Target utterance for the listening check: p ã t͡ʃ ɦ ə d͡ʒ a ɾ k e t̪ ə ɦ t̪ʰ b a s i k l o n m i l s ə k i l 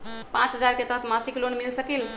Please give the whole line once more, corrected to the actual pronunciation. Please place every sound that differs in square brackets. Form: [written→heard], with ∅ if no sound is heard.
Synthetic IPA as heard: p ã t͡ʃ ɦ ə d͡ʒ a ɾ k e t̪ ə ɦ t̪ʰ [b→m] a s i k l o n m i l s ə k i l